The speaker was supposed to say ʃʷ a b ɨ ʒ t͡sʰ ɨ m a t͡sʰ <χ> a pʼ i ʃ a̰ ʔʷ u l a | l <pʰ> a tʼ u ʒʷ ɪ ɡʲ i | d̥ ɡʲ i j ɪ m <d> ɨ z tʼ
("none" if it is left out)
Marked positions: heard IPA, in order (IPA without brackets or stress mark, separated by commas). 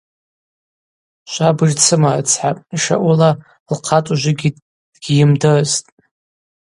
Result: ħ, qʰ, d